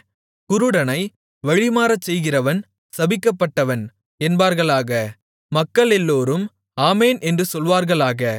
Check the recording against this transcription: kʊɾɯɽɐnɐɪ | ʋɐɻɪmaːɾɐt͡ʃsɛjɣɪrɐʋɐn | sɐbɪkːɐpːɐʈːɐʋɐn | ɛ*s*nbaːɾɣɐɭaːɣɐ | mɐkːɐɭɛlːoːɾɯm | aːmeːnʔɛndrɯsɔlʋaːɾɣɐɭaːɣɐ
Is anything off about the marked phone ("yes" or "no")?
yes